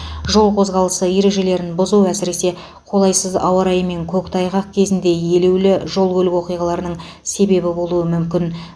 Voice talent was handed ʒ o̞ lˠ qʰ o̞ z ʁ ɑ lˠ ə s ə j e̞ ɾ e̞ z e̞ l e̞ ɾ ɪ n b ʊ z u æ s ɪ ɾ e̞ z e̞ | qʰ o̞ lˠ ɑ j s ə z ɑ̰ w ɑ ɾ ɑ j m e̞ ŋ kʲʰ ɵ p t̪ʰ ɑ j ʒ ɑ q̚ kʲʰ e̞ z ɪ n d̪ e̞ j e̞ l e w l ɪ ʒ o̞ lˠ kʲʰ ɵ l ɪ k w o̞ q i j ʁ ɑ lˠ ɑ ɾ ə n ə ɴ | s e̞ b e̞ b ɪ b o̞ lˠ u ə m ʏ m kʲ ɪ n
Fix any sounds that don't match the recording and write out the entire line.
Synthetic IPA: ʒ o̞ lˠ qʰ o̞ z ʁ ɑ lˠ ə s ə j e̞ ɾ e̞ ʒ e̞ l e̞ ɾ ɪ n b ʊ z u æ s ɪ ɾ e̞ s e̞ | qʰ o̞ lˠ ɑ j s ə z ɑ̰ w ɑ ɾ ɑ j m e̞ ŋ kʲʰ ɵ k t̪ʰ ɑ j ʁ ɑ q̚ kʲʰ e̞ z ɪ n d̪ e̞ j e̞ l e w l ɪ ʒ o̞ lˠ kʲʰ ɵ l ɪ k w o̞ q i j ʁ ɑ lˠ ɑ ɾ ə n ə ɴ | s e̞ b e̞ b ɪ b o̞ lˠ u ə m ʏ m kʲ ɪ n